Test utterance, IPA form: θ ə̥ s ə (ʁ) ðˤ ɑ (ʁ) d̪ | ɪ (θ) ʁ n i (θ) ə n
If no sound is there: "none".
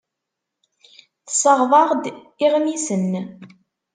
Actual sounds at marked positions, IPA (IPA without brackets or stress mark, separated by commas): ʁ, ʁ, none, s